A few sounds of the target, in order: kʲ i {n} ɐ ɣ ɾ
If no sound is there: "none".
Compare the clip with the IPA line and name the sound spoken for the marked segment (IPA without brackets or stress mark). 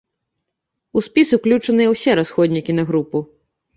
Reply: n